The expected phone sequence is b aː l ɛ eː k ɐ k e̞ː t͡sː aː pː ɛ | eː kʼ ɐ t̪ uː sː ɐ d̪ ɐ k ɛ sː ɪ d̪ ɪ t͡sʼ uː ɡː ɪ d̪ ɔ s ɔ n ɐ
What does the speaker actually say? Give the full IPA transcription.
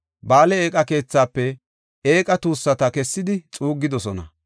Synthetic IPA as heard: b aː l ɛ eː kʼ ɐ k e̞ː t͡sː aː pː ɛ | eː kʼ ɐ t̪ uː sː ɐ t̪ ɐ k ɛ sː ɪ d̪ ɪ t͡sʼ uː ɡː ɪ d̪ ɔ s ɔ n ɐ